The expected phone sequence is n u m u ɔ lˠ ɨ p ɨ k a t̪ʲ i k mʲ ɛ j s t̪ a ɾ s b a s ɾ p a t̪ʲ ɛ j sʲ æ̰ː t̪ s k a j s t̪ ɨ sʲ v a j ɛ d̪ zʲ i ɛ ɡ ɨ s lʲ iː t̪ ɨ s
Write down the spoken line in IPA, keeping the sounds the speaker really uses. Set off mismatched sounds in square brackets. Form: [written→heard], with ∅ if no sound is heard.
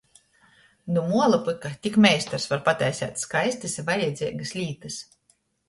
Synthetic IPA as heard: n u m u ɔ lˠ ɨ p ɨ k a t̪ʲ i k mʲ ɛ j s t̪ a ɾ s [b→v] a [s→∅] ɾ p a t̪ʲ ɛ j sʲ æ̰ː t̪ s k a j s t̪ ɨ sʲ v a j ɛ d̪ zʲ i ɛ ɡ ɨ s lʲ iː t̪ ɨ s